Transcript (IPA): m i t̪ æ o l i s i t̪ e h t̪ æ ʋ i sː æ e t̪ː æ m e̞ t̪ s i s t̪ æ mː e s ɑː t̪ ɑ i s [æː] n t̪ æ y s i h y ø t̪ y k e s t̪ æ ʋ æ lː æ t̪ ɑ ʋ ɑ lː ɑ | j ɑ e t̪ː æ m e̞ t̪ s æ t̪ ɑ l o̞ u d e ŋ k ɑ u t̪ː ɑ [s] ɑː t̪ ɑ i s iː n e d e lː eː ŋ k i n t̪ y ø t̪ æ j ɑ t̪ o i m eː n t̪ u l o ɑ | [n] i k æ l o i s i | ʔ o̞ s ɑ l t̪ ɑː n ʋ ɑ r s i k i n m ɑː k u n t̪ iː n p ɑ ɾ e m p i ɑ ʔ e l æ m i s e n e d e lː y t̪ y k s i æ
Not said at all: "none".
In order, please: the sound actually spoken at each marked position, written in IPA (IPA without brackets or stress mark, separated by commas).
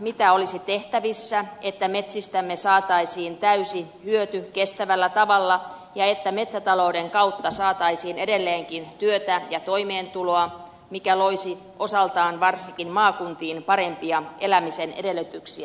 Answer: iː, s, m